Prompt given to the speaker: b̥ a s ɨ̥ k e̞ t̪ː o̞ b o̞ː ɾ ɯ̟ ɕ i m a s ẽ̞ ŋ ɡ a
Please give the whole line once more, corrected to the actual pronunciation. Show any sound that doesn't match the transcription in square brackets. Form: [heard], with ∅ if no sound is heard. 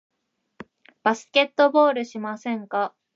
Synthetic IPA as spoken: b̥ a s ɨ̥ k e̞ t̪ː o̞ b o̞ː ɾ ɯ̟ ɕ i m a s ẽ̞ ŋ [k] a